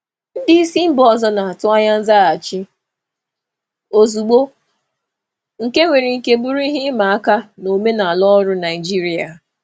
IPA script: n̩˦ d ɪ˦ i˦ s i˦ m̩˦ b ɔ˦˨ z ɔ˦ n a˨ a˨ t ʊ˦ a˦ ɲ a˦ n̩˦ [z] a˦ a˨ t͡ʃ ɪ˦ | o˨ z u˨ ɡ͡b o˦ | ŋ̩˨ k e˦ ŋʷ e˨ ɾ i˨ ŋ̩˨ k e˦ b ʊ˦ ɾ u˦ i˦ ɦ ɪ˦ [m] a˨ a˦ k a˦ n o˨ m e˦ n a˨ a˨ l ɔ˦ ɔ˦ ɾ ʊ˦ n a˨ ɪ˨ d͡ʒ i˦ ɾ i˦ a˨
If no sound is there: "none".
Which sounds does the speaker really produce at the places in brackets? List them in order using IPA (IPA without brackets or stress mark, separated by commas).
z, m